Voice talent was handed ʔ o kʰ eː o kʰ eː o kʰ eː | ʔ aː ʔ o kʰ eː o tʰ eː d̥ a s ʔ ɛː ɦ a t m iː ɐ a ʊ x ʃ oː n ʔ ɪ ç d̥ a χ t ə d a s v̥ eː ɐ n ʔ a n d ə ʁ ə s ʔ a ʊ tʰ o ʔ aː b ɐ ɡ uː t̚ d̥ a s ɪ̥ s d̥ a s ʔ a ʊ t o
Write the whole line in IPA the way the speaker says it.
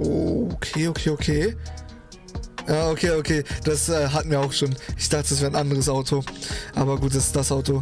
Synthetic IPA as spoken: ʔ o kʰ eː o kʰ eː o kʰ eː | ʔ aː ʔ o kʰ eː o kʰ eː d̥ a s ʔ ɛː ɦ a t m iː ɐ a ʊ x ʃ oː n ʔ ɪ ç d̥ a χ t ə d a s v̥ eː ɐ n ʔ a n d ə ʁ ə s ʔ a ʊ tʰ o ʔ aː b ɐ ɡ uː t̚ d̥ a s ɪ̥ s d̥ a s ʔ a ʊ t o